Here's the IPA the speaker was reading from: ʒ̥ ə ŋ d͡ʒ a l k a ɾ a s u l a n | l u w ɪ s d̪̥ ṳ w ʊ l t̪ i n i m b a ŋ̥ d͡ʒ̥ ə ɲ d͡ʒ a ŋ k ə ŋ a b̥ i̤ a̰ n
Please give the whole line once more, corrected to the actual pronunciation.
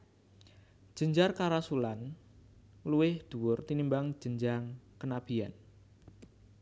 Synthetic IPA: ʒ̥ ə ɲ d͡ʒ a r k a ɾ a s u l a n | l u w ɪ h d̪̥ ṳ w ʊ r t̪ i n i m b a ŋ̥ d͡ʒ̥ ə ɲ d͡ʒ a ŋ k ə n a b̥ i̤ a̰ n